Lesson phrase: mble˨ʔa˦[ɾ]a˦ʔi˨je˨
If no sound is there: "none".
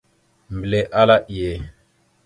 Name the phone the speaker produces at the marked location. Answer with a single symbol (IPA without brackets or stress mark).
l